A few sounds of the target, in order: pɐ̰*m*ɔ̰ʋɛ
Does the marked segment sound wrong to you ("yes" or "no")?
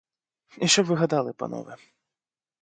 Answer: yes